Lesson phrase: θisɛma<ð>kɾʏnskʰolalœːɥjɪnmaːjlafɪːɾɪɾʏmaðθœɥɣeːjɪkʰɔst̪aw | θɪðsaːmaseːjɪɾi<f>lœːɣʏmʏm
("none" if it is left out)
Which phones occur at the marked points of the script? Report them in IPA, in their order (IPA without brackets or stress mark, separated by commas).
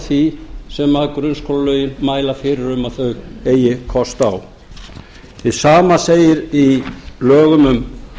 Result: ð, none